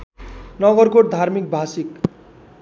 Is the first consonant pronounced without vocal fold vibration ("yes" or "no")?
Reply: no